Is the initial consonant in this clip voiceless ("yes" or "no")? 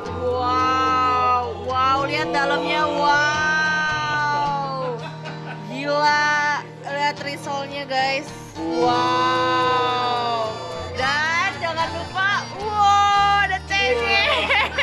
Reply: no